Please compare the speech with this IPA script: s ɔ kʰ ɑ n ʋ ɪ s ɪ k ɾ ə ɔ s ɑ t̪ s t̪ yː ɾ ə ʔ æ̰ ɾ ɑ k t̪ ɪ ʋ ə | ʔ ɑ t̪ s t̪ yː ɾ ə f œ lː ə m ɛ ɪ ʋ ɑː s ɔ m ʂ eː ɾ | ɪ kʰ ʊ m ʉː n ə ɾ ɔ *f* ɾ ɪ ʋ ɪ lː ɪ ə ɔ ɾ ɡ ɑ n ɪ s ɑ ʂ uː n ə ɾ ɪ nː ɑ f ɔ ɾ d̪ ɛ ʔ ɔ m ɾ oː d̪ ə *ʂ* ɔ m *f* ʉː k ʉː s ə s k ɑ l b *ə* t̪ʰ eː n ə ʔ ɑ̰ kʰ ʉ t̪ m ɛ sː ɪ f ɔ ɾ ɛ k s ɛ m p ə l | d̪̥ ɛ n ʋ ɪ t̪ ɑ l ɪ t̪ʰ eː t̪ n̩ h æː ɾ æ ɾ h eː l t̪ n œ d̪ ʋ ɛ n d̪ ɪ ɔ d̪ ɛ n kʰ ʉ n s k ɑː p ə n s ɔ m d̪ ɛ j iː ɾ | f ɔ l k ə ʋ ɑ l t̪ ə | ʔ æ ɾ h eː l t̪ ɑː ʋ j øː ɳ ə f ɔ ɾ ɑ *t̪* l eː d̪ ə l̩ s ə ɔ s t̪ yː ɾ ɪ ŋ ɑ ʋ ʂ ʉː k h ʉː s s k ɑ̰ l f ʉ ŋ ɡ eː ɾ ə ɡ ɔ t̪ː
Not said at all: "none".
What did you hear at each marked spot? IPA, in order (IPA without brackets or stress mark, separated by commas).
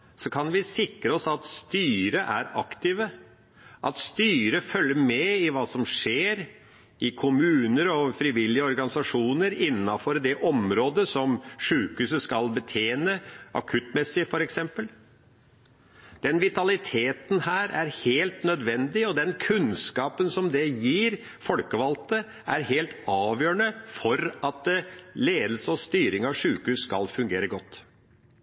f, s, ʂ, ə, t̪